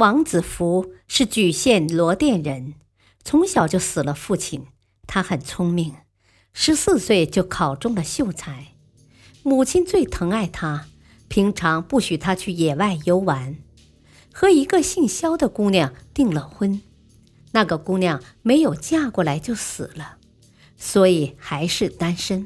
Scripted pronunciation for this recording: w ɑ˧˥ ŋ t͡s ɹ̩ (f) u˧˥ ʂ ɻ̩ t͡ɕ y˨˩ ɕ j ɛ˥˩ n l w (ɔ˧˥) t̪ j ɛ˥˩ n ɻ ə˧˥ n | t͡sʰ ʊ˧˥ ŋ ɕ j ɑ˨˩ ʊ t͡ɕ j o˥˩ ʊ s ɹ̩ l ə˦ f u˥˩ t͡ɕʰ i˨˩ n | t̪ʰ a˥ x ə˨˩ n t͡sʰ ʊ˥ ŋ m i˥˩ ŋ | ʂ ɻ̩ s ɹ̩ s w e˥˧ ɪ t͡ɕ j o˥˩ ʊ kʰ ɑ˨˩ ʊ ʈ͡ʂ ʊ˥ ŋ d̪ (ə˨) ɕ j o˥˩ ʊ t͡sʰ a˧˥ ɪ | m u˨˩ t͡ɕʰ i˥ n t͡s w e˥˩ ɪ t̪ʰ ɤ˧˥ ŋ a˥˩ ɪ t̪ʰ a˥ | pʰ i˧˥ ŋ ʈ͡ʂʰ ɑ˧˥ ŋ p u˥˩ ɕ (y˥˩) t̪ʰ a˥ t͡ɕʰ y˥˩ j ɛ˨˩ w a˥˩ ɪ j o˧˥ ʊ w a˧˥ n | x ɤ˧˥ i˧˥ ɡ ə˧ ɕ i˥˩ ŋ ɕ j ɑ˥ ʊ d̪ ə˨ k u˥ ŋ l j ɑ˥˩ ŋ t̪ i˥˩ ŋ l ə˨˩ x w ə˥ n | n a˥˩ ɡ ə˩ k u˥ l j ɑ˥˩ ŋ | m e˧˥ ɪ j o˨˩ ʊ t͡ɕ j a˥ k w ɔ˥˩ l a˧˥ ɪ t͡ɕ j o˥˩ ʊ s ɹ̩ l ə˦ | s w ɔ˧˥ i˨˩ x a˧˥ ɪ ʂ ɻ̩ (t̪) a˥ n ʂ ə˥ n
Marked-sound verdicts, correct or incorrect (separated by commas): correct, correct, correct, incorrect, correct